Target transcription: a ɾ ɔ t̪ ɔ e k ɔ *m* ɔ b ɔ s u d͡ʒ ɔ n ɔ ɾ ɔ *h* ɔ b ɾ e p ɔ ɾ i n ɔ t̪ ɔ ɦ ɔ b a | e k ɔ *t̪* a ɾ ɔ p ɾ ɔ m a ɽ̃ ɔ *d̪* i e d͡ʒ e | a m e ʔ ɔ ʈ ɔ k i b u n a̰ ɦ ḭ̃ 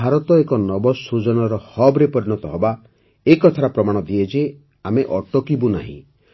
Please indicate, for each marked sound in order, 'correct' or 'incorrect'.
incorrect: n, correct, incorrect: t̪ʰ, correct

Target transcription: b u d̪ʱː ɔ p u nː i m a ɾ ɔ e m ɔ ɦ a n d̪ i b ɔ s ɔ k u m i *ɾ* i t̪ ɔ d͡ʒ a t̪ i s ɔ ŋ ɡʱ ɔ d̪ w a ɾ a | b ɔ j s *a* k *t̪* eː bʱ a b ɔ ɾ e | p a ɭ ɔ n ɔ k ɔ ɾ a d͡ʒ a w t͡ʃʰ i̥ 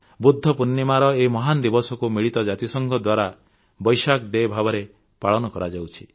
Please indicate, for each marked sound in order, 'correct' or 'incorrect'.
incorrect: ɭ, correct, incorrect: d̪

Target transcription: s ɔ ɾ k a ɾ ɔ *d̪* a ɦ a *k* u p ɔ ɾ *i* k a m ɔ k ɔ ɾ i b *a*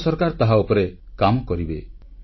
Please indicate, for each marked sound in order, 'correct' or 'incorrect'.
incorrect: t̪, incorrect: none, incorrect: e, incorrect: e

